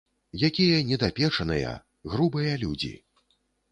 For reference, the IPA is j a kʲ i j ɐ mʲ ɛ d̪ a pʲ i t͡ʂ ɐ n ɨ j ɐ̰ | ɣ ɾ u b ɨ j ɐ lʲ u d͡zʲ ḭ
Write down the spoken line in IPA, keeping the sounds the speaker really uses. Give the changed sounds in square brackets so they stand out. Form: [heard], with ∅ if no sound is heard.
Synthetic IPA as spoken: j a kʲ i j ɐ [nʲ] ɛ d̪ a pʲ [ɛ] t͡ʂ ɐ n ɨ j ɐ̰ | ɣ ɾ u b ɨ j ɐ lʲ u d͡zʲ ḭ